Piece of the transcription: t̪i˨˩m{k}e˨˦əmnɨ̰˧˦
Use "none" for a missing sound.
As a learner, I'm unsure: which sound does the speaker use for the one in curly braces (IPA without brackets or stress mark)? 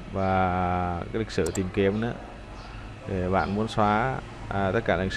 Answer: k